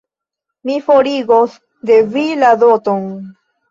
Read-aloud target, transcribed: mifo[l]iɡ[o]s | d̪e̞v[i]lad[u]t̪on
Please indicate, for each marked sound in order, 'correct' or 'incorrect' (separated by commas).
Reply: incorrect, correct, correct, incorrect